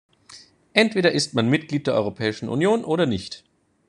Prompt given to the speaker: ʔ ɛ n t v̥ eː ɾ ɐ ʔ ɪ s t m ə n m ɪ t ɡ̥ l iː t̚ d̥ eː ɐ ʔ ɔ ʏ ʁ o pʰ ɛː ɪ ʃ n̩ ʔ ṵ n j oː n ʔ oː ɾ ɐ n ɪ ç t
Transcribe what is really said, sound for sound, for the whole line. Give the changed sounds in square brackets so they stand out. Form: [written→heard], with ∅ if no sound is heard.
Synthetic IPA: ʔ ɛ n t v̥ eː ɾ ɐ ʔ ɪ s t m [ə→a] n m ɪ t ɡ̥ l iː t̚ d̥ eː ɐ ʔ ɔ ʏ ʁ o pʰ ɛː ɪ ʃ n̩ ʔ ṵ n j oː n ʔ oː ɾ ɐ n ɪ ç t